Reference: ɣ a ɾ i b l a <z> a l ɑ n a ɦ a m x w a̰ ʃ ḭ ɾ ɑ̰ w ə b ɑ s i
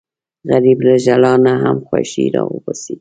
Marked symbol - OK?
no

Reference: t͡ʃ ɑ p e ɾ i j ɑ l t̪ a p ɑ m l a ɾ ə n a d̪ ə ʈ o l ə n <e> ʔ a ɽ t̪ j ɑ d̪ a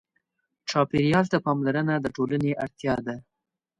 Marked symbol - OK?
yes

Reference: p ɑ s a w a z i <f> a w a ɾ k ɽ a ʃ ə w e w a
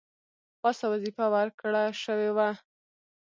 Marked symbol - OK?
yes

